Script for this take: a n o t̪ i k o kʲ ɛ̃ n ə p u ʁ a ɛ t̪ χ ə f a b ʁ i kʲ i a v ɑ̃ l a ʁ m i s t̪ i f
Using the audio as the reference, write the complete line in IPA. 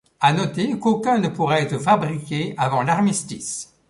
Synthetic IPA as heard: a n ɔ t̪ e k o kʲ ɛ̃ n ə p u ʁ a ɛ t̪ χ ə f a b ʁ i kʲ e a v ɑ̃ l a ʁ m i s t̪ i s